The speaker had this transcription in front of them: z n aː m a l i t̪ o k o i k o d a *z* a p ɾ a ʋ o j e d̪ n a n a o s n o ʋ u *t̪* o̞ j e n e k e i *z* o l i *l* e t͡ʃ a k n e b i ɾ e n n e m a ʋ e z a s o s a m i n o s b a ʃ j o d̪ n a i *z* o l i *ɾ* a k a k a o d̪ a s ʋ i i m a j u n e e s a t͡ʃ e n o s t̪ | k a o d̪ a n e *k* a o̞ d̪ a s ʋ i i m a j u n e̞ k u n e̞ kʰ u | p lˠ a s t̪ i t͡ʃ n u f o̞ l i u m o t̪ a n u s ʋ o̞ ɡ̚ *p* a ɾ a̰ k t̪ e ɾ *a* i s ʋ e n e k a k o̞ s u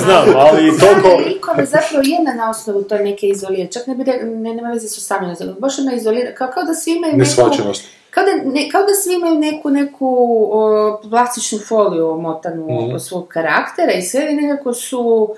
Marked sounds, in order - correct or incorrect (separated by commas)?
correct, correct, correct, incorrect, correct, correct, correct, incorrect, correct